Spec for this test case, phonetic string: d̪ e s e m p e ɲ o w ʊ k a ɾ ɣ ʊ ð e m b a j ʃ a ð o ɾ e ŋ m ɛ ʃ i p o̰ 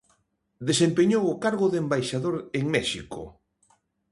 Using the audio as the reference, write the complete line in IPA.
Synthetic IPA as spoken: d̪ e s e m p e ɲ o w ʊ k a ɾ ɣ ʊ ð e m b a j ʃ a ð o ɾ e ŋ m ɛ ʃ i k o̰